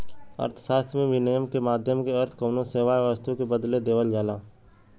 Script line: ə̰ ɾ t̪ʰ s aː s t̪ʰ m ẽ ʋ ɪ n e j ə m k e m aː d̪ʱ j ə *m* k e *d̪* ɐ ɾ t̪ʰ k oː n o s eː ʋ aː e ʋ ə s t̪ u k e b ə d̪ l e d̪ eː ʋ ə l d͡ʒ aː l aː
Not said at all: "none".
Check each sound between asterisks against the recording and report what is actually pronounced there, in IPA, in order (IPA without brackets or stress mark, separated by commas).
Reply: m, none